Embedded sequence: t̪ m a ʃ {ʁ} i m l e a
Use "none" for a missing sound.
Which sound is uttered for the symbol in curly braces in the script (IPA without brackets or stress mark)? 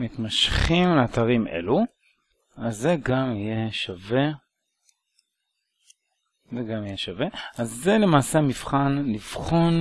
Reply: χ